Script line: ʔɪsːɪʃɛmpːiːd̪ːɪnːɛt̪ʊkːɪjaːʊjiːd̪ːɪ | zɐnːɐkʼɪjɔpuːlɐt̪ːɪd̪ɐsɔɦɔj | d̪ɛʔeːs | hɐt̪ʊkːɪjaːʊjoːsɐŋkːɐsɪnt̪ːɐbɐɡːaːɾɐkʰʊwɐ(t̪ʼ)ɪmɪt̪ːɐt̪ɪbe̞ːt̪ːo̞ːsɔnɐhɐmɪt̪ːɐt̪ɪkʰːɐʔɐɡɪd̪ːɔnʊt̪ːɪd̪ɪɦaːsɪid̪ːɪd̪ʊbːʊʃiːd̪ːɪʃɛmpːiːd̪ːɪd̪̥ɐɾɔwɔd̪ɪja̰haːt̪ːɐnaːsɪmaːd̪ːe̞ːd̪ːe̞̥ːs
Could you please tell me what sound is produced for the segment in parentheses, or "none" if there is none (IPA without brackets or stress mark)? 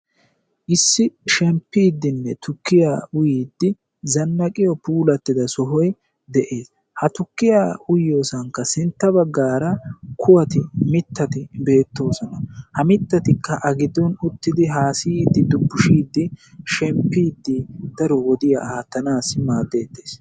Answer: t̪